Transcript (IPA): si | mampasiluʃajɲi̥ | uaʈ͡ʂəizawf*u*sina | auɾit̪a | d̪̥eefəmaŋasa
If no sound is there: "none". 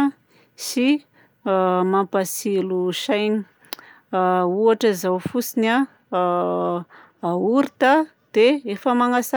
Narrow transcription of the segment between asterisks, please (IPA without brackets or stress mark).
u